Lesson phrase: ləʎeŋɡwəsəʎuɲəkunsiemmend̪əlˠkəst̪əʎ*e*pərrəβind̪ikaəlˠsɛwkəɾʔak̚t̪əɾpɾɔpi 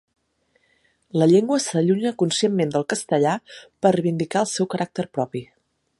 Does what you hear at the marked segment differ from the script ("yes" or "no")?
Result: yes